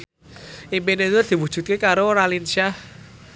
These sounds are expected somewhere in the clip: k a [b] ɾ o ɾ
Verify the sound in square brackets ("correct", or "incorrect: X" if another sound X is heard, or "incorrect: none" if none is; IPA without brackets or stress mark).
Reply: incorrect: none